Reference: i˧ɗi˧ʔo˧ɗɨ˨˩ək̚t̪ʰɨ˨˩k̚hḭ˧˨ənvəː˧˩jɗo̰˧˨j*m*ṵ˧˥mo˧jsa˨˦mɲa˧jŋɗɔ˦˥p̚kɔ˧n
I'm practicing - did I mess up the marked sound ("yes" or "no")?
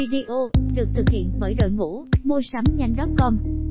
yes